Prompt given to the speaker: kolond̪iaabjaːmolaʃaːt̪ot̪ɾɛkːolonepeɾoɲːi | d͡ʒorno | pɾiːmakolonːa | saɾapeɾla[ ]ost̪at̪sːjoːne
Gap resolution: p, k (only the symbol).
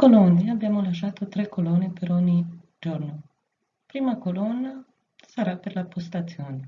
p